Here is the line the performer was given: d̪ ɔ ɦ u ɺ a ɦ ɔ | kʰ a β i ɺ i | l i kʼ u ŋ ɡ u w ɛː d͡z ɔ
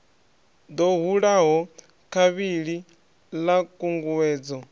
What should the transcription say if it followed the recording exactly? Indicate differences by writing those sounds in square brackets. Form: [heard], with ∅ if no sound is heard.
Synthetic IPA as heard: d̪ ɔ ɦ u ɺ a ɦ ɔ | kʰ a β i ɺ i | l [a] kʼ u ŋ ɡ u w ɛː d͡z ɔ